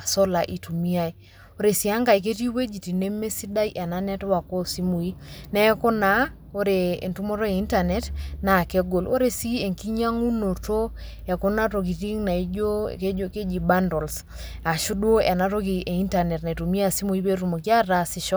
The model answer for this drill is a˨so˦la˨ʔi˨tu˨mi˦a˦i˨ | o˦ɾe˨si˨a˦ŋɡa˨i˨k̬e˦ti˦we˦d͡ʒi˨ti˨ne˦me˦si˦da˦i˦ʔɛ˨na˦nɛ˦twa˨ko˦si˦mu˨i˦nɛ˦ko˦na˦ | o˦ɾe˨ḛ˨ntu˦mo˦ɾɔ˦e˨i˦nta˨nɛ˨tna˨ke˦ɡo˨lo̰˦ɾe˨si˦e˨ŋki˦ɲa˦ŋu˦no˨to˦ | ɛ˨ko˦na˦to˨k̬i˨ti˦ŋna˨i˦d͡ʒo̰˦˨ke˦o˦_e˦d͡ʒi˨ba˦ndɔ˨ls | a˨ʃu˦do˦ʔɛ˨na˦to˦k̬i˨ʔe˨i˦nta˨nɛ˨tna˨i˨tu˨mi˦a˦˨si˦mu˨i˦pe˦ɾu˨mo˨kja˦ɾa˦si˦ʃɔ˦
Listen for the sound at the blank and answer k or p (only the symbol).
k